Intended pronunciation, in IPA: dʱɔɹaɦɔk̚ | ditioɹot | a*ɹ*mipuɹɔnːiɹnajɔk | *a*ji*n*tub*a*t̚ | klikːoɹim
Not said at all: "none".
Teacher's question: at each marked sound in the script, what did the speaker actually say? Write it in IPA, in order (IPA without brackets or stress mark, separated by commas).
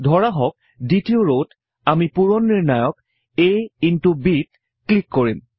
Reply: none, e, n, i